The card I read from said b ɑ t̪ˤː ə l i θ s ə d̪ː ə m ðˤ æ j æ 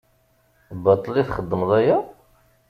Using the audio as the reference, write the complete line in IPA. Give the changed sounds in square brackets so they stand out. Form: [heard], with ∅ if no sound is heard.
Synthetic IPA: b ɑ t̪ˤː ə l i θ [χ] ə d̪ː ə m ðˤ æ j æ